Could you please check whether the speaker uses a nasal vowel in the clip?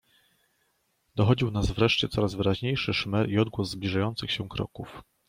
no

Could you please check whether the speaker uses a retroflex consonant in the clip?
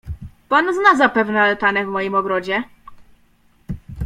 no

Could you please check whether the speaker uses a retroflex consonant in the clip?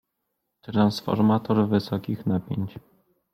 no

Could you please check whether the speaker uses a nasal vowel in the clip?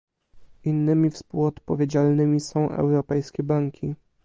yes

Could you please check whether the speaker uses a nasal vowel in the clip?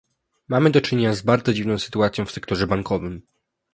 yes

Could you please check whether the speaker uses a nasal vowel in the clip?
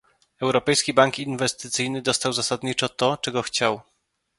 no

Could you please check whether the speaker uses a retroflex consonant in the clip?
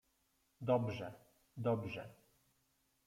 yes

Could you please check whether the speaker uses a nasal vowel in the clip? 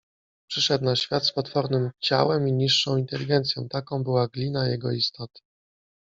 yes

